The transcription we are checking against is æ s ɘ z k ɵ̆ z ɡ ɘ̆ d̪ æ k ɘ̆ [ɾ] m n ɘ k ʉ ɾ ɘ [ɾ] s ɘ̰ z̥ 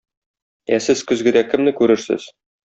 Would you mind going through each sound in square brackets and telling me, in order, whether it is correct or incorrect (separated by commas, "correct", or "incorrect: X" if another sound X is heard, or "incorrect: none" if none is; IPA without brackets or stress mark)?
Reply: incorrect: none, correct